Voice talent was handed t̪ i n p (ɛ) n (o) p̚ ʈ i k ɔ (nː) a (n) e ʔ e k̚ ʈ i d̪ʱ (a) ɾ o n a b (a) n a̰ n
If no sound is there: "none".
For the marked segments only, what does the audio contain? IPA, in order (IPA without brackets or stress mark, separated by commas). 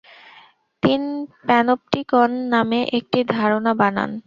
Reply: ɛ, o, nː, m, a, a